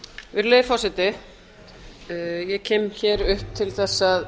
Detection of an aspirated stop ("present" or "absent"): present